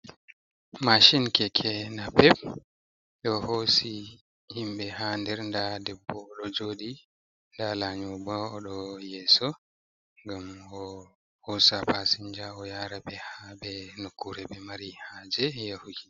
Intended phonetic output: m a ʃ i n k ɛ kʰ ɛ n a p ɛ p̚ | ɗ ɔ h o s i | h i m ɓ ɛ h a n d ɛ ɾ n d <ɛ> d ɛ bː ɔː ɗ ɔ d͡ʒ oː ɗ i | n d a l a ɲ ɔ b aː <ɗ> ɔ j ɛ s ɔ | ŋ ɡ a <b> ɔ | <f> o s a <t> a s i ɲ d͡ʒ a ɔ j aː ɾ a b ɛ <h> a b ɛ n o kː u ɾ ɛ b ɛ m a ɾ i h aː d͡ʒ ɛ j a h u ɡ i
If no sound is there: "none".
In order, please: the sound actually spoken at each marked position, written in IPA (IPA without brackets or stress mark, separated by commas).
a, ɗ, m, h, p, h